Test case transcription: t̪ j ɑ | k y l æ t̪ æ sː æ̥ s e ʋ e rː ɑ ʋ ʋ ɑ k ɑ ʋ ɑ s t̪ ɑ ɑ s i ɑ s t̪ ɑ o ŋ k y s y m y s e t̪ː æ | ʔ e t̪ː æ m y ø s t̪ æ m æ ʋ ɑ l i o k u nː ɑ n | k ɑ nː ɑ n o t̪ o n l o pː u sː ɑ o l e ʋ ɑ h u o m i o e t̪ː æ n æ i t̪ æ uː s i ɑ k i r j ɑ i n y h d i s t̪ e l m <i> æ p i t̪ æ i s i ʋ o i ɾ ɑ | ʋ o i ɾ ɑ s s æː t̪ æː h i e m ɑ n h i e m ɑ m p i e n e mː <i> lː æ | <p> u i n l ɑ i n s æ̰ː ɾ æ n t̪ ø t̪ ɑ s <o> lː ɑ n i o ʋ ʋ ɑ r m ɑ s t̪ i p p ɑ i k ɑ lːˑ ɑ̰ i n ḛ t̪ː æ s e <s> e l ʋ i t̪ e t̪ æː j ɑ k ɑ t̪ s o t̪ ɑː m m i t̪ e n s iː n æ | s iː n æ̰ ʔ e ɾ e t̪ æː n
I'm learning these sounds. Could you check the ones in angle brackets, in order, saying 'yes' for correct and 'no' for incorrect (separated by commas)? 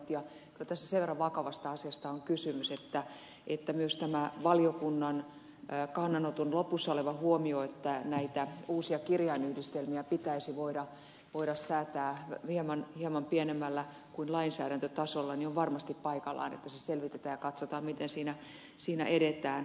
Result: yes, no, no, yes, yes